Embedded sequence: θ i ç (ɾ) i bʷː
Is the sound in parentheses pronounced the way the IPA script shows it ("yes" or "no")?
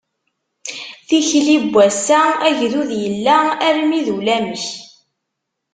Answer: no